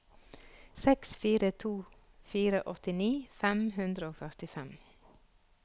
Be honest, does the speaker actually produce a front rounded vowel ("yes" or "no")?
yes